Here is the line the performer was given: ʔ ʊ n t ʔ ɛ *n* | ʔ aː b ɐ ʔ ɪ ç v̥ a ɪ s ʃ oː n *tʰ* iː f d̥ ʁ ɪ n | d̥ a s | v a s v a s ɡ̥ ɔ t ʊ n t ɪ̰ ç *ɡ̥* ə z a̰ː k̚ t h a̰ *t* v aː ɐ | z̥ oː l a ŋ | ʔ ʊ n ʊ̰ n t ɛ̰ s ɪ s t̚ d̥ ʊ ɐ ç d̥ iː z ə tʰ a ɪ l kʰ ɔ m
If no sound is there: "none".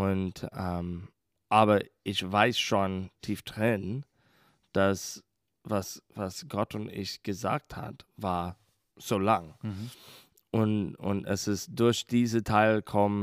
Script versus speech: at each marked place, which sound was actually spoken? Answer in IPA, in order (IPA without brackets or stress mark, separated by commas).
m, tʰ, ɡ̥, t